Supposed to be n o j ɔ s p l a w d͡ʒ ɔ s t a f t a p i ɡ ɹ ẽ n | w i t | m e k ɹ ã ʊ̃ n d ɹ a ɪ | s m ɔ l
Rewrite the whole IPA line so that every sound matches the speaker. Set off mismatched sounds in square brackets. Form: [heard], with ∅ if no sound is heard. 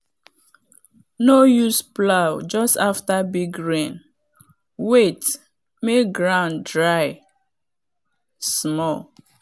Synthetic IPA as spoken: n o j [u] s p l a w d͡ʒ ɔ s t a f t a [b] i ɡ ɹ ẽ n | w [e] t | m e [ɡ] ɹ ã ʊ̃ n d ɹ a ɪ | s m ɔ l